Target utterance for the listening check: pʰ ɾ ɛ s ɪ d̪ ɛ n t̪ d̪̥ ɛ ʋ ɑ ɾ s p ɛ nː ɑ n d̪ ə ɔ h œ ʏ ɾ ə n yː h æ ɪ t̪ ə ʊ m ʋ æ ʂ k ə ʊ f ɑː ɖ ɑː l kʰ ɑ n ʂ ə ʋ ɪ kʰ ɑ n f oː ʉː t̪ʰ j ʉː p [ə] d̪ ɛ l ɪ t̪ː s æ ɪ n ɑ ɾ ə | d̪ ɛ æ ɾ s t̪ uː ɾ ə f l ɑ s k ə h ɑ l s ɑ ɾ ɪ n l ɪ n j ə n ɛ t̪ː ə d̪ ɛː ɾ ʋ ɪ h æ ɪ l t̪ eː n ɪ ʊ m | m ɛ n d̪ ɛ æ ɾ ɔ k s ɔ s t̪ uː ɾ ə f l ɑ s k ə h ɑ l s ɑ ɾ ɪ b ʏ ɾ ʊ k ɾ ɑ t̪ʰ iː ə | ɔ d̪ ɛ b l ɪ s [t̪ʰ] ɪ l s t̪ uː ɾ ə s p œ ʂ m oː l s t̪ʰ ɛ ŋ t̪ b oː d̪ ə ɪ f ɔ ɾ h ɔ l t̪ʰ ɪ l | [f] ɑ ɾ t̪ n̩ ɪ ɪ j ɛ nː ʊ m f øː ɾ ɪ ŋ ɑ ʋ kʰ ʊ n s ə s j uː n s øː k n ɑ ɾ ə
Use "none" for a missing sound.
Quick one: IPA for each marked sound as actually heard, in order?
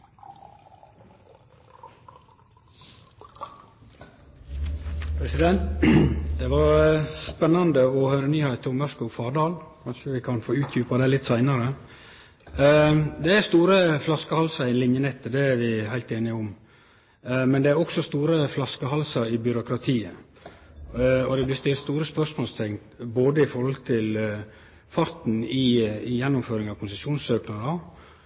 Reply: ɑ, t̪, f

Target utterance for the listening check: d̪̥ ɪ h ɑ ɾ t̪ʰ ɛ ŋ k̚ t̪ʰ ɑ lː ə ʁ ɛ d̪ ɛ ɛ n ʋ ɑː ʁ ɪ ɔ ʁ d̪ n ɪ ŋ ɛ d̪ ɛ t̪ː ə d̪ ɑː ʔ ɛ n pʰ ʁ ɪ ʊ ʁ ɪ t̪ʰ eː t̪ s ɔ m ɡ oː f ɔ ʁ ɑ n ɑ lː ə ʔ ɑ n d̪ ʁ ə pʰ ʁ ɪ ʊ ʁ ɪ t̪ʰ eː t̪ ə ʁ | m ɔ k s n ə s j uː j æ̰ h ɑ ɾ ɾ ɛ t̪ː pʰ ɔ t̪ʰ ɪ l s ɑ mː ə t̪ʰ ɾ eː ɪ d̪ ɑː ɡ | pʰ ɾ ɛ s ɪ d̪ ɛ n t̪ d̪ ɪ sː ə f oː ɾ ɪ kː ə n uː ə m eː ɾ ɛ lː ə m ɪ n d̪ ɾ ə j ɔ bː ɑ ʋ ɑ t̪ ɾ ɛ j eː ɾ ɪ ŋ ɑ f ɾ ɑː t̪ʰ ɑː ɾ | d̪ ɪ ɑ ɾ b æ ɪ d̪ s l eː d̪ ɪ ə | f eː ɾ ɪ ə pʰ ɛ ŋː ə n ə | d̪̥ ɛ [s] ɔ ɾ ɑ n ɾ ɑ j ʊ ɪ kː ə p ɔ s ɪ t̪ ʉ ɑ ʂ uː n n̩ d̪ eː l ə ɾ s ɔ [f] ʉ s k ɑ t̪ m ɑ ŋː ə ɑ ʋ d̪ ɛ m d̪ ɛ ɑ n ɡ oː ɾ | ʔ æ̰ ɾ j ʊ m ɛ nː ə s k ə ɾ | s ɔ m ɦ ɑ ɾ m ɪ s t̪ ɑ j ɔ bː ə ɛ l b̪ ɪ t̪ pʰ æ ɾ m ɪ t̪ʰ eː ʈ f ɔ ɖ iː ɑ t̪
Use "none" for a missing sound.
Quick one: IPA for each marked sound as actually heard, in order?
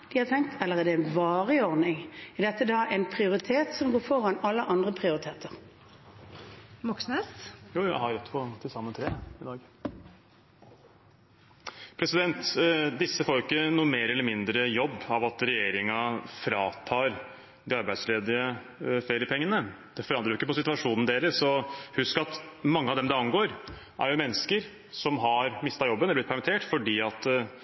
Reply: f, h

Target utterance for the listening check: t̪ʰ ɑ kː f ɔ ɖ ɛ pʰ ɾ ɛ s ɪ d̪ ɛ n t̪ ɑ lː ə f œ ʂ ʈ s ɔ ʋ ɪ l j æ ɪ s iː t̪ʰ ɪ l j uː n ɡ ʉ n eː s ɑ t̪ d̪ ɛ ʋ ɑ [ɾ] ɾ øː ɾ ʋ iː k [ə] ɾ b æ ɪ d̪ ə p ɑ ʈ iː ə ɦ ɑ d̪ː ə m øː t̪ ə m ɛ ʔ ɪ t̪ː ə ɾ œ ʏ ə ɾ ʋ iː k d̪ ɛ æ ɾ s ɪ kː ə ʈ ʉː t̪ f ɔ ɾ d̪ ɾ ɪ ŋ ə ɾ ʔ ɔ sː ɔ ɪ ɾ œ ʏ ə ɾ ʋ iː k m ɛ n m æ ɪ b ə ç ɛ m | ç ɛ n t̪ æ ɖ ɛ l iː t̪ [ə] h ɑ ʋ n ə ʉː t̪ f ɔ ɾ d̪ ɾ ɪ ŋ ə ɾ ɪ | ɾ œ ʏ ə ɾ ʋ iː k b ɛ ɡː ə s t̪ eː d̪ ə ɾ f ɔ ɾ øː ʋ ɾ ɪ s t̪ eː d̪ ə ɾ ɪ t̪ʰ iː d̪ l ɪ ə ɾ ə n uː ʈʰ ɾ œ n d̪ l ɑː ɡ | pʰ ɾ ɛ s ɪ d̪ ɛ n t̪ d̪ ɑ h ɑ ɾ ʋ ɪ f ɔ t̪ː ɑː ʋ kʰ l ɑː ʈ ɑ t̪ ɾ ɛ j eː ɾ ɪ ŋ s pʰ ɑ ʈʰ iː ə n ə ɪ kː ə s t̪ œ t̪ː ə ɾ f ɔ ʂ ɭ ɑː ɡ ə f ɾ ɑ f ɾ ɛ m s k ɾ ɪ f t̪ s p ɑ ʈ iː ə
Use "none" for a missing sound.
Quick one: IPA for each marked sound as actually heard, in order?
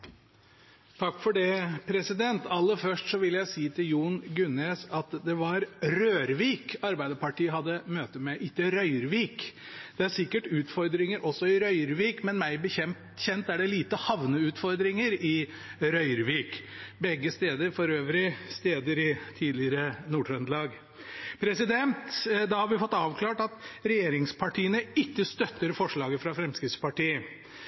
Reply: ɾ, ɑ, ə

